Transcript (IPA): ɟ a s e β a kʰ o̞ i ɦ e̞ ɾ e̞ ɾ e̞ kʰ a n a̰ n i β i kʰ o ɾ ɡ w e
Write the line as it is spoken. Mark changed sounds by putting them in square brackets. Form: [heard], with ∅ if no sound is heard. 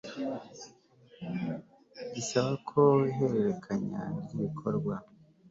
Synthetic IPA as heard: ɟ [i] s [a] β a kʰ o̞ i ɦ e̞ ɾ e̞ ɾ e̞ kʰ a [ɲ] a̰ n i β i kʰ o ɾ ɡ w [a]